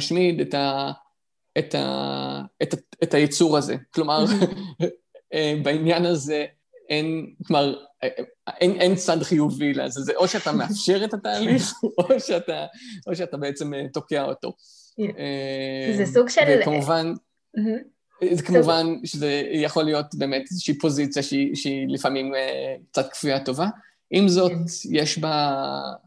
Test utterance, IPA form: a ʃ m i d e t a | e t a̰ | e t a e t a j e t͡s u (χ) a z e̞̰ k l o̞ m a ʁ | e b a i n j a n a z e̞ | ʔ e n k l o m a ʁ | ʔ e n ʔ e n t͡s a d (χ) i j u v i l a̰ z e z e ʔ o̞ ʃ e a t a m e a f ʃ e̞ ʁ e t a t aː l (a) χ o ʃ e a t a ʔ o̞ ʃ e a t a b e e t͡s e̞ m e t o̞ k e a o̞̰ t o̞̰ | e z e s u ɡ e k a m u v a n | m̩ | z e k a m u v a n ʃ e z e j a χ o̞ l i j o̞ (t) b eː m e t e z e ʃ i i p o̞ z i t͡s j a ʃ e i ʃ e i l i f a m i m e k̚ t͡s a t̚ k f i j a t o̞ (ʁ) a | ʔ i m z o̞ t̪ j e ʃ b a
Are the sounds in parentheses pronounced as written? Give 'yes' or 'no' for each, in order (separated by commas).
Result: no, yes, no, yes, no